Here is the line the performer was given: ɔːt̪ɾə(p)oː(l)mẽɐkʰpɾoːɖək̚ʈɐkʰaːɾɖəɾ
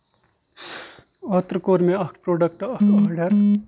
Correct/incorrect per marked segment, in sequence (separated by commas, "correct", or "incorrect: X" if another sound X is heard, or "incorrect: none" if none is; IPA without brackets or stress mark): incorrect: k, incorrect: ɾ